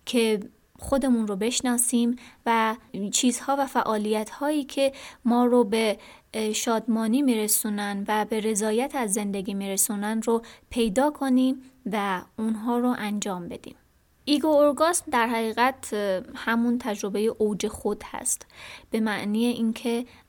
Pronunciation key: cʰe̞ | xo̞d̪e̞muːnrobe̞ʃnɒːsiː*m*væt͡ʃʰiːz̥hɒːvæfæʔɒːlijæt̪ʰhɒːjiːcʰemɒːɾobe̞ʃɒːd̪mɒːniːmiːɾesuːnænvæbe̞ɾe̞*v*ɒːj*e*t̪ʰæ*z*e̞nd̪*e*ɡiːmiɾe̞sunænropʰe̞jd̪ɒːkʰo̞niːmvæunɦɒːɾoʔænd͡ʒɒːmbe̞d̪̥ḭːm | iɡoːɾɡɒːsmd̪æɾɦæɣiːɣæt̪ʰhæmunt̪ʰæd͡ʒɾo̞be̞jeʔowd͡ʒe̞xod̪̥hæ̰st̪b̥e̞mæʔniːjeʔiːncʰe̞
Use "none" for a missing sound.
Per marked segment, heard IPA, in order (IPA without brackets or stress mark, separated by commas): m, z, æ, zː, e